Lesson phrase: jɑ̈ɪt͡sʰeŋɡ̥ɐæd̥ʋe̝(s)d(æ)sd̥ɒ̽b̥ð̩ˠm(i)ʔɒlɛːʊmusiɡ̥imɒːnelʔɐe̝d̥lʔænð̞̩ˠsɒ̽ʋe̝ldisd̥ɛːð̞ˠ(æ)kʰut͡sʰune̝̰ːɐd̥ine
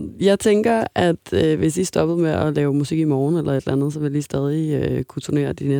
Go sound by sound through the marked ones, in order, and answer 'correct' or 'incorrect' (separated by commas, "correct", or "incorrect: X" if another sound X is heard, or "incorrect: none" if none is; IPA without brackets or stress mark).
correct, incorrect: i, incorrect: e, incorrect: i